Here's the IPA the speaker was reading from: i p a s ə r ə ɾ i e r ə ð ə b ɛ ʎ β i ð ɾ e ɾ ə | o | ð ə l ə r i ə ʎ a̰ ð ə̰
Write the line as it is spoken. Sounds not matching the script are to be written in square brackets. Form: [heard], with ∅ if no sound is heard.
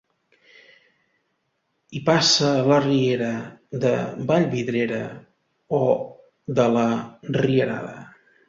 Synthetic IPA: i p a s ə [l] ə [r] i e [ɾ] ə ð ə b [a] ʎ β i ð ɾ e ɾ ə | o | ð ə l ə r i ə [ɾ] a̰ ð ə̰

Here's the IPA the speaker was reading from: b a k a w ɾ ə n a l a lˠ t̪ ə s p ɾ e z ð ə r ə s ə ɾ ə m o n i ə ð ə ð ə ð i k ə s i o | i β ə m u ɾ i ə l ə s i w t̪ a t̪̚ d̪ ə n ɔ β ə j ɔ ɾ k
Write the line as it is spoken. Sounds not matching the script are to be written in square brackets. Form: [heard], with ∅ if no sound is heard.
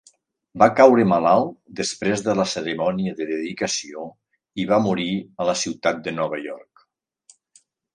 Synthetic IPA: b a k a w ɾ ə [m] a l a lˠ [d̪] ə s p ɾ e z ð ə [l] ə s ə ɾ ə m [ɔ] n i ə ð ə ð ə ð i k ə s i o | i β [a] m u ɾ i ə l ə s i w t̪ a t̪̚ d̪ ə n ɔ β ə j ɔ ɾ k

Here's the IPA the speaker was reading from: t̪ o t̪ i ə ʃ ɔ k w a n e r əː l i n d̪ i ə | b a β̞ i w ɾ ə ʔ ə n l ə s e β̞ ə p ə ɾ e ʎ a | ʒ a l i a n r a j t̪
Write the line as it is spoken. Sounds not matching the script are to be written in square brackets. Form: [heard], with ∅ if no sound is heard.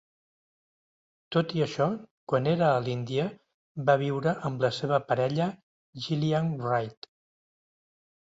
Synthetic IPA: t̪ o t̪ i ə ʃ ɔ k w a n e [ɾ] əː l i n d̪ i ə | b a β̞ i w ɾ ə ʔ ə [m] l ə s e β̞ ə p ə ɾ [ɛ] ʎ [ə] | ʒ [i] l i a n r a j t̪

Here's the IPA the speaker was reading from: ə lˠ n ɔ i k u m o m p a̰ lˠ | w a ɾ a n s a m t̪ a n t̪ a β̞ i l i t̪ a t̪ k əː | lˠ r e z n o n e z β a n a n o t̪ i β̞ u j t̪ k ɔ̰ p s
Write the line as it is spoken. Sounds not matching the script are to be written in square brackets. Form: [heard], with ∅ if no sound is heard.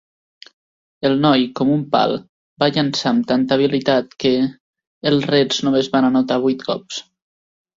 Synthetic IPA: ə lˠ n ɔ [j] k [ɔ] m [u] m p a̰ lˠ | [b] a [ʎ] a n s a m t̪ a n t̪ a β̞ i l i t̪ a t̪ k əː | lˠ r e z n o [m] e z β a n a n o t̪ [a] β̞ u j t̪ k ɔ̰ p s

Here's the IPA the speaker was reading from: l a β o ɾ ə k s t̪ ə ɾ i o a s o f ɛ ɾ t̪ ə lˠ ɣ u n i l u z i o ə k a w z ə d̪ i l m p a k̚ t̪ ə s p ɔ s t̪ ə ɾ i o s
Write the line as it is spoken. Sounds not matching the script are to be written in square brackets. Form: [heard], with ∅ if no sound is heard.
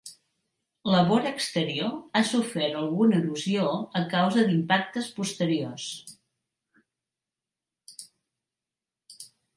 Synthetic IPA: l [ə] β o ɾ ə k s t̪ ə ɾ i o a s [u] f ɛ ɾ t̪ ə lˠ ɣ u n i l u z i o ə k a w z ə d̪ i [∅] m p a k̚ t̪ ə s p [u] s t̪ ə ɾ i o s

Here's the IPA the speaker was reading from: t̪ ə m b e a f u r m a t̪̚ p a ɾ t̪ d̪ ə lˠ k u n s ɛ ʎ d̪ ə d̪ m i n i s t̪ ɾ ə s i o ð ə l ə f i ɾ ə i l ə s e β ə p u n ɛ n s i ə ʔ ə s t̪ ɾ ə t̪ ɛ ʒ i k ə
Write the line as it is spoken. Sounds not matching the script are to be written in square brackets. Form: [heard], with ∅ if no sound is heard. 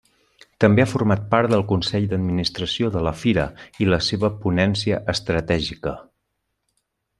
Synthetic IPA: t̪ ə m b e a f u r m a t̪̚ p a ɾ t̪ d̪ ə lˠ k u n s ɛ ʎ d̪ ə d̪ m i n i s t̪ ɾ ə s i o ð ə l ə f i ɾ ə i l ə s e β ə p u n ɛ n s i ə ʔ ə s t̪ ɾ ə t̪ ɛ ʒ i k ə

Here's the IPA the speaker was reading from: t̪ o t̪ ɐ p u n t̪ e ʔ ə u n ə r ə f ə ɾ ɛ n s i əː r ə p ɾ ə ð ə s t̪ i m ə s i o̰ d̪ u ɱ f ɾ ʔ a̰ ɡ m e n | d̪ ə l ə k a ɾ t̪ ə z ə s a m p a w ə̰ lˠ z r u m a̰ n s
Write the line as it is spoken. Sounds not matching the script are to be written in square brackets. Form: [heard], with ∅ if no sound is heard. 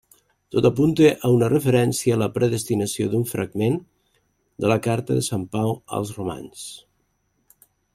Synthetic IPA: t̪ o t̪ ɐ p u n t̪ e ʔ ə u n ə r ə f ə ɾ ɛ n s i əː [l] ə p ɾ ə ð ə s t̪ i [n] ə s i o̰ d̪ u ɱ f ɾ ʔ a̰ ɡ m e n | d̪ ə l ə k a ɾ t̪ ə [ð] ə s a m p a w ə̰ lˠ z r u m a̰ n s

